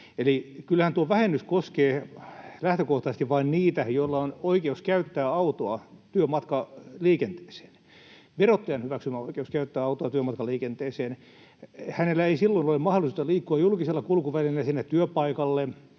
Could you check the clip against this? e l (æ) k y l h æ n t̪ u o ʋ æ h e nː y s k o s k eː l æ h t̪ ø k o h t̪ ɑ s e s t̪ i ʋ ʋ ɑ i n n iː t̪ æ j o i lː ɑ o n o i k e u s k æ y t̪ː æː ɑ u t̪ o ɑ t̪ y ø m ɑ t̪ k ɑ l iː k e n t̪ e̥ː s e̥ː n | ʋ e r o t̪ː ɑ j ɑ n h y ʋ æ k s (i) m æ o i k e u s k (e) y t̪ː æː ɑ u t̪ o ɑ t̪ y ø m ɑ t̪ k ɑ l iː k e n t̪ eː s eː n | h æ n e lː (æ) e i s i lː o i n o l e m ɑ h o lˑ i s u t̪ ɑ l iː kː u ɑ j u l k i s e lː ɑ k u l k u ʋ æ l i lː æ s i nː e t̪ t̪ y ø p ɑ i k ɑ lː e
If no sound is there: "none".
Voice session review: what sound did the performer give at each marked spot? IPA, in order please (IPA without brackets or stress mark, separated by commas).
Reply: i, y, æ, æ